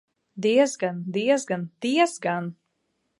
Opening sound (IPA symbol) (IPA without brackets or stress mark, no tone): d̪